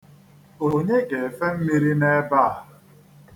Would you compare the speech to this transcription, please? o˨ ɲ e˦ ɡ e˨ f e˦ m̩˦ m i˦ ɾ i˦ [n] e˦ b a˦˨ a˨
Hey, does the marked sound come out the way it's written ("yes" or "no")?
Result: yes